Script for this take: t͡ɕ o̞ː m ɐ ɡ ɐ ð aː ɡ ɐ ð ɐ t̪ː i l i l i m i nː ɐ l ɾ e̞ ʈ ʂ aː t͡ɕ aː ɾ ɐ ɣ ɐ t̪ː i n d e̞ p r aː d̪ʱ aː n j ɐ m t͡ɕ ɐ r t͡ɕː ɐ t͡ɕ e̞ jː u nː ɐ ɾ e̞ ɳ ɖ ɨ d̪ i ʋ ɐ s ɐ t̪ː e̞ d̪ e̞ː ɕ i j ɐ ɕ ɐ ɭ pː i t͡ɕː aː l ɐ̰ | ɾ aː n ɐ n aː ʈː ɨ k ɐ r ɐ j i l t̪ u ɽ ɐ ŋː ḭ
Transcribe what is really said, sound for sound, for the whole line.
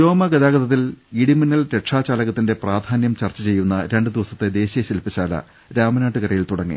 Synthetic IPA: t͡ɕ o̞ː m ɐ ɡ ɐ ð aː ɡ ɐ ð ɐ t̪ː i l i ɽ i m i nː ɐ l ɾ e̞ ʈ ʂ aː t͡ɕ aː l ɐ ɣ ɐ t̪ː i n d e̞ p r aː d̪ʱ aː n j ɐ m t͡ɕ ɐ r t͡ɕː ɐ t͡ɕ e̞ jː u nː ɐ ɾ e̞ ɳ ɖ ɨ d̪ i ʋ ɐ s ɐ t̪ː e̞ d̪ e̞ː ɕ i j ɐ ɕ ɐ l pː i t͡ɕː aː l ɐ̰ | ɾ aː m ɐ n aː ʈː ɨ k ɐ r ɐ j i l t̪ u ɽ ɐ ŋː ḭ